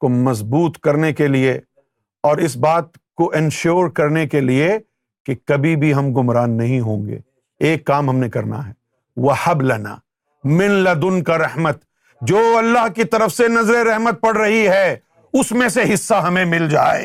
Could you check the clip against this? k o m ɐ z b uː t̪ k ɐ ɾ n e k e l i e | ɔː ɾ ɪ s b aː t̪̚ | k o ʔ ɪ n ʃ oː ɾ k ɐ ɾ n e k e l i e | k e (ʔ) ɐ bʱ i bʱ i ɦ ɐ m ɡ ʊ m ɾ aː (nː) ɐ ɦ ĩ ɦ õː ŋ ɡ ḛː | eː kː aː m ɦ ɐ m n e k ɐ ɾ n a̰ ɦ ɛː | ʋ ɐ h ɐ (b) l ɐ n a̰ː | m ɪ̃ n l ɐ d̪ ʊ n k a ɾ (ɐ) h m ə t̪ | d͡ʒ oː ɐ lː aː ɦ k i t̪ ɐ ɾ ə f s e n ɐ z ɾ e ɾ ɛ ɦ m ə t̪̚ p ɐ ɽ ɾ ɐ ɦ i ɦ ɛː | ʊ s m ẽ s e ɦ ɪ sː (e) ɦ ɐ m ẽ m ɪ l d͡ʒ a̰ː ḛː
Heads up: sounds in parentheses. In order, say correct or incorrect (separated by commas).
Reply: incorrect, correct, correct, correct, incorrect